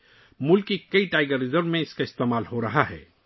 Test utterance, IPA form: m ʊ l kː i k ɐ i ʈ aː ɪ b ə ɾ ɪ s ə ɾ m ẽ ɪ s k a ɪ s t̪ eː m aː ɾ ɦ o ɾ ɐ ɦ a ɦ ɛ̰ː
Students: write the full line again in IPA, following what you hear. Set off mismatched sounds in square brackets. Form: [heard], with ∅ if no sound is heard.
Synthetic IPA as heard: m ʊ l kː i k ɐ i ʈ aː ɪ [ɡ] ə ɾ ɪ [z] ə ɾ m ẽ ɪ s k a ɪ s t̪ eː m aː [l] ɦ o ɾ ɐ ɦ a ɦ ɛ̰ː